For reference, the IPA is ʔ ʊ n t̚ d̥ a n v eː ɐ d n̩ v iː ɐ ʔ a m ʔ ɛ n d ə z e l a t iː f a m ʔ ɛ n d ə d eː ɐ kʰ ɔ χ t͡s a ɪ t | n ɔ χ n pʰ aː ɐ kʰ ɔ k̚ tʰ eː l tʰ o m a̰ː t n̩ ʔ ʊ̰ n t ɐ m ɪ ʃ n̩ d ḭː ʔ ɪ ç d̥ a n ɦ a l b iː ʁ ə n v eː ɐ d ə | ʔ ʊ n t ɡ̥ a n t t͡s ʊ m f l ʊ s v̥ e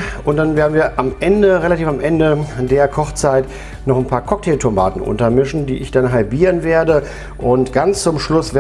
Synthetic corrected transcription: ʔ ʊ n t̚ d̥ a n v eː ɐ d n̩ v iː ɐ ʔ a m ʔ ɛ n d ə ʁ e l a t iː f a m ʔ ɛ n d ə d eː ɐ kʰ ɔ χ t͡s a ɪ t | n ɔ χ n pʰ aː ɐ kʰ ɔ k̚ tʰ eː l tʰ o m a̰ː t n̩ ʔ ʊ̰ n t ɐ m ɪ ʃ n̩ d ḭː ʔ ɪ ç d̥ a n ɦ a l b iː ʁ ə n v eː ɐ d ə | ʔ ʊ n t ɡ̥ a n t͡s t͡s ʊ m ʃ l ʊ s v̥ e